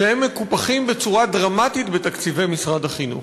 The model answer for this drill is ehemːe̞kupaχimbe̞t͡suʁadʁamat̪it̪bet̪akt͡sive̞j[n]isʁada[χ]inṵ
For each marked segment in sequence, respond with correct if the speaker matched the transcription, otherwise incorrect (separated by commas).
incorrect, correct